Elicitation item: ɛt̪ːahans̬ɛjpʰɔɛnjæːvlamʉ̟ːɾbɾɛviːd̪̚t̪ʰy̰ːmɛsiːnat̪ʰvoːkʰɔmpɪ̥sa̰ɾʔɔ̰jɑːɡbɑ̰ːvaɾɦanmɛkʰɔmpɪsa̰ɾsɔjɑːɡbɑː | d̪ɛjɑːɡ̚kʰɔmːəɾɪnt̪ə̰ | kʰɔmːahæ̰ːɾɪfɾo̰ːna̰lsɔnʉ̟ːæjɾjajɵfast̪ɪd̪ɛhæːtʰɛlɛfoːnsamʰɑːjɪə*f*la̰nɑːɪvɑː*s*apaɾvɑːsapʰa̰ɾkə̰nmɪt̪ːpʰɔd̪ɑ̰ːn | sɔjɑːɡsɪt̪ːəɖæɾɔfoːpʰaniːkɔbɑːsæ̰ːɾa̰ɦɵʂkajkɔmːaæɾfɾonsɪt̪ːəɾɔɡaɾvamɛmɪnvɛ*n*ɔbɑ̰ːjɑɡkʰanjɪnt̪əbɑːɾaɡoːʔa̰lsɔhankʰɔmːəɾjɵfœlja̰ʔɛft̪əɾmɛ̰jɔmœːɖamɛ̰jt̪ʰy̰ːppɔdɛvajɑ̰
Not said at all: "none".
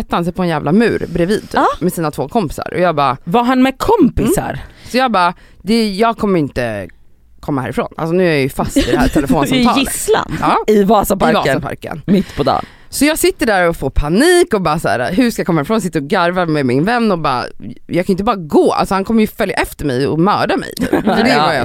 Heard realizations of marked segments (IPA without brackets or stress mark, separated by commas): s, s, nː